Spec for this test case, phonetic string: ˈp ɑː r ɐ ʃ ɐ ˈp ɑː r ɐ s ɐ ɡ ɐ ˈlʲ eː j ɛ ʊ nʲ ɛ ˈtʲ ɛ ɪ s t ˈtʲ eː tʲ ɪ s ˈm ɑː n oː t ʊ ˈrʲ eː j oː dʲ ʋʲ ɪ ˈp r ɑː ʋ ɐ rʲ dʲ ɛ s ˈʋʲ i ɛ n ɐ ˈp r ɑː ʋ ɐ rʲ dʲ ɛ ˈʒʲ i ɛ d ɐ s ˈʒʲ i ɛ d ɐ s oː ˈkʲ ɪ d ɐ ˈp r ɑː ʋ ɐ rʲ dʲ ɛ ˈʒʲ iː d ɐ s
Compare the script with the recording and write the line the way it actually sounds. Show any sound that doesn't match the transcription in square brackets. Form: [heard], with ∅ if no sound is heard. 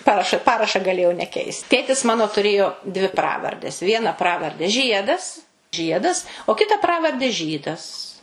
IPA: ˈp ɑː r ɐ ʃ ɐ ˈp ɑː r ɐ [ʃ] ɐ ɡ ɐ ˈlʲ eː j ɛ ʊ nʲ ɛ [ˈkʲ] ɛ ɪ s t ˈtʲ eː tʲ ɪ s ˈm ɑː n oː t ʊ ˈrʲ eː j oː dʲ ʋʲ ɪ ˈp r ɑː ʋ ɐ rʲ dʲ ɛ s ˈʋʲ i ɛ n ɐ ˈp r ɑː ʋ ɐ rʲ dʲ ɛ ˈʒʲ i ɛ d ɐ s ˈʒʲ i ɛ d ɐ s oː ˈkʲ ɪ [t] ɐ ˈp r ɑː ʋ ɐ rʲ dʲ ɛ ˈʒʲ iː d ɐ s

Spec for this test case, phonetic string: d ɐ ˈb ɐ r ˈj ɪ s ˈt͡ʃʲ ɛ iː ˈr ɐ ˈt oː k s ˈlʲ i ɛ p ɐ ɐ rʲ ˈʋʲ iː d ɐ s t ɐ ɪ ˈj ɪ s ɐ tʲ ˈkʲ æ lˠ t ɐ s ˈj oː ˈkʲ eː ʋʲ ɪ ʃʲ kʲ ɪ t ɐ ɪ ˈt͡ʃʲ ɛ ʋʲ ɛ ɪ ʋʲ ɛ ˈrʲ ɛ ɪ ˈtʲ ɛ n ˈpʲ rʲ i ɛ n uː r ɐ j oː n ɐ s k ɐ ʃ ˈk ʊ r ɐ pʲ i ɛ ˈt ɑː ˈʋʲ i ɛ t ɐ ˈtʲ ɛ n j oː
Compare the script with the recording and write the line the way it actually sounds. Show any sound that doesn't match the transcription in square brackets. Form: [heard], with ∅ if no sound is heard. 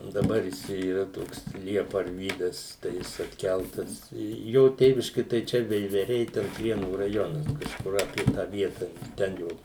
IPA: d ɐ ˈb ɐ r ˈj ɪ s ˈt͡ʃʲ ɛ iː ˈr ɐ ˈt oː k s ˈlʲ i ɛ p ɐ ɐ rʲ ˈʋʲ iː d ɐ s t ɐ ɪ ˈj ɪ s ɐ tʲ ˈkʲ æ lˠ t ɐ s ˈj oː [ˈtʲ] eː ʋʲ ɪ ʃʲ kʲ ɪ t ɐ ɪ ˈt͡ʃʲ ɛ ʋʲ ɛ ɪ ʋʲ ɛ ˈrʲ ɛ ɪ ˈtʲ ɛ n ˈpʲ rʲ i ɛ n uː r ɐ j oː n ɐ s k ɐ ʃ ˈk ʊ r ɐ pʲ i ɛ ˈt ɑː ˈʋʲ i ɛ t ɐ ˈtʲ ɛ n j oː

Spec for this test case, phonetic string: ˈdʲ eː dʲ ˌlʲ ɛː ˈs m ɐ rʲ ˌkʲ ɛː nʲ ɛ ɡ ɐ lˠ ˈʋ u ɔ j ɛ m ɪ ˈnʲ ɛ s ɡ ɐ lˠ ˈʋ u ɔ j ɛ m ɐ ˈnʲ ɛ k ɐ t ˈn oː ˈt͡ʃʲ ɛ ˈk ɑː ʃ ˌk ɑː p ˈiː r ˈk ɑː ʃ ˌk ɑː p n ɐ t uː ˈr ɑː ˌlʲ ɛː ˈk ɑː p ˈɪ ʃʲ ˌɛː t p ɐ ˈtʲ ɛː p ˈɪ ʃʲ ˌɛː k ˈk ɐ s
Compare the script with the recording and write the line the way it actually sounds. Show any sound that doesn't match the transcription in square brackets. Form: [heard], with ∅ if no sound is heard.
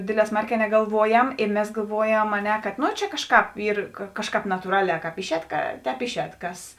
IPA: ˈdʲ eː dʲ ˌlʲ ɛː ˈs m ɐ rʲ ˌkʲ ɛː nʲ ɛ ɡ ɐ lˠ ˈʋ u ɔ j ɛ m ɪ [ˈmʲ] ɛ s ɡ ɐ lˠ ˈʋ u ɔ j ɛ m ɐ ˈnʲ ɛ k ɐ t ˈn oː ˈt͡ʃʲ ɛ ˈk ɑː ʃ ˌk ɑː p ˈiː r ˈk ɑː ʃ ˌk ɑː p n ɐ t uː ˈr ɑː ˌlʲ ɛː ˈk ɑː p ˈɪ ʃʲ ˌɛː t [k] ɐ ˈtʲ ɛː p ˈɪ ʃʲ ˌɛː [t] ˈk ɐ s

